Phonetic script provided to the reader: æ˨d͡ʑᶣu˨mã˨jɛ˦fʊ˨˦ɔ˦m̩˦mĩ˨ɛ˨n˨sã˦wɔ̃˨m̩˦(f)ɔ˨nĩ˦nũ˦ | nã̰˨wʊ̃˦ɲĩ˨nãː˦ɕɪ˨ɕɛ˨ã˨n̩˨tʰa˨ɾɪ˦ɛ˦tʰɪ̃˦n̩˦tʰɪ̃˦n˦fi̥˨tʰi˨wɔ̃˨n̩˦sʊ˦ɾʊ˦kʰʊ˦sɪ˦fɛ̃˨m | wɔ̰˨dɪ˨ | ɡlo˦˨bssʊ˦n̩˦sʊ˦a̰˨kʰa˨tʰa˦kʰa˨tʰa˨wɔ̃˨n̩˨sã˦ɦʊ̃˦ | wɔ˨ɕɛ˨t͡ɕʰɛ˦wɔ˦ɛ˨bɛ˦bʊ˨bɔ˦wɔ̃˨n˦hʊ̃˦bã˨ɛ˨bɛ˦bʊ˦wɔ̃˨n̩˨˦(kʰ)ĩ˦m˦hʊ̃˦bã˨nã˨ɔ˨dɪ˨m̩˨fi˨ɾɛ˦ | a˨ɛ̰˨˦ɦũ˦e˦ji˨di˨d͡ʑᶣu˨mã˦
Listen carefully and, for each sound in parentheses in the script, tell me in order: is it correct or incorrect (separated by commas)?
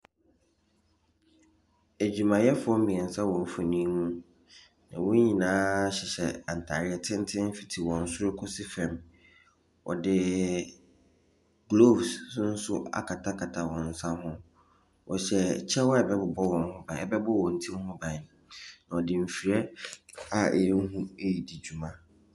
correct, incorrect